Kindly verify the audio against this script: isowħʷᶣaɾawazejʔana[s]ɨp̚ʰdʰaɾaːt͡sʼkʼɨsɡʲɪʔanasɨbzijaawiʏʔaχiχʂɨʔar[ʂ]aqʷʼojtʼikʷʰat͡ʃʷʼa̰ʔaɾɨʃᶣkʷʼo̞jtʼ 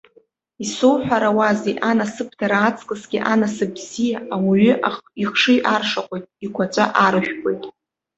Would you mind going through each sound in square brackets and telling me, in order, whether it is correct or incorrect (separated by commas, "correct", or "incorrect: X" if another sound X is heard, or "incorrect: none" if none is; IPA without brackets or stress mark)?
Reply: correct, correct